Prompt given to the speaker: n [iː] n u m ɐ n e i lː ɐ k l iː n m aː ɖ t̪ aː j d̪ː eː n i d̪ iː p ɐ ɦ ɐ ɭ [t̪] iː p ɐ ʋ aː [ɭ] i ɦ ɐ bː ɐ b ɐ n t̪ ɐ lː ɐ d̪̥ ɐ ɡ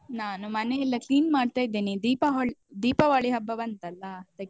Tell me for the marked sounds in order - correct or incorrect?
incorrect, incorrect, correct

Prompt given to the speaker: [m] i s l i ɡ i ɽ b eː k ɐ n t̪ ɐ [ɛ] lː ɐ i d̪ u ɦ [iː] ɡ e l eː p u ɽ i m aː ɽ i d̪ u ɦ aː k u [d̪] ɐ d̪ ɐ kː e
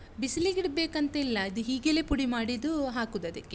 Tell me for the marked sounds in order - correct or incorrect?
incorrect, incorrect, correct, correct

